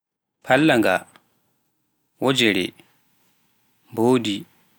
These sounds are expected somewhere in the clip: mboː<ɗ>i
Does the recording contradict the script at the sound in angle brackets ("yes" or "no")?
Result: yes